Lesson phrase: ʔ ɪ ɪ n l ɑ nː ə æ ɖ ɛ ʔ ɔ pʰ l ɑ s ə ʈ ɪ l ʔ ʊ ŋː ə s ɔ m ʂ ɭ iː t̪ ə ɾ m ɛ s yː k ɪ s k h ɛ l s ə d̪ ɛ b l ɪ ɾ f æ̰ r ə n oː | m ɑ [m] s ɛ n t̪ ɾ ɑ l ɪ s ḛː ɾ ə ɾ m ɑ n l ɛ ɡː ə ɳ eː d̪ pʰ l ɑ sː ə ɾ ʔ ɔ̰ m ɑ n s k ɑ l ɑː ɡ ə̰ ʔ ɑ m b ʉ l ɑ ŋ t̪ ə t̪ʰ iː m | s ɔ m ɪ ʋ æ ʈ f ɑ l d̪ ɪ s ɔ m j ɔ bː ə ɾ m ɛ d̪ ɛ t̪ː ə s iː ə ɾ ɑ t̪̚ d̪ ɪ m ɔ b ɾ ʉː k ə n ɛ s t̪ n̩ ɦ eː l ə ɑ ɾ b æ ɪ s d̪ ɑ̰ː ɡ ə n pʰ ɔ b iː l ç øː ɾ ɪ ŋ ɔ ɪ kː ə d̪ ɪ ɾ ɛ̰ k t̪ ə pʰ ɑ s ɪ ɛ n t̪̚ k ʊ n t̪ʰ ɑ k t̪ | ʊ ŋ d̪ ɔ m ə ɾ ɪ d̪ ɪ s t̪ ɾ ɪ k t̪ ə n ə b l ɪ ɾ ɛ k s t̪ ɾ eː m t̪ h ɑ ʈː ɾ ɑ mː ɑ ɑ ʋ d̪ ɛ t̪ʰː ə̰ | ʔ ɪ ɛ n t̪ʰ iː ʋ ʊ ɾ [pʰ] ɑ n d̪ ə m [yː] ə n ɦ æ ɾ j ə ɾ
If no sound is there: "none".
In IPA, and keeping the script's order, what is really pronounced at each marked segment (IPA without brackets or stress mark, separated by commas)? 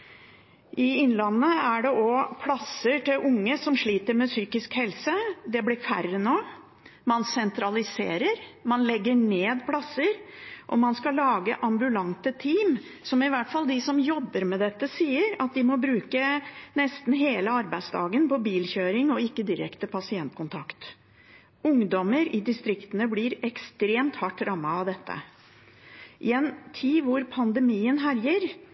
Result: n, pʰ, iː